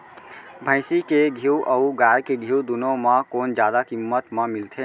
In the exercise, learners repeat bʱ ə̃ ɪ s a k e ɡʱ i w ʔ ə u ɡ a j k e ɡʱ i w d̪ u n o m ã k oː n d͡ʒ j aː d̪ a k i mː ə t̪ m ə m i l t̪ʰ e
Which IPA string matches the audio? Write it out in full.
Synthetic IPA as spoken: bʱ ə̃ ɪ s i k e ɡʱ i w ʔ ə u ɡ a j k e ɡʱ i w d̪ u n o m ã k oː n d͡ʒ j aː d̪ a k i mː ə t̪ m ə m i l t̪ʰ e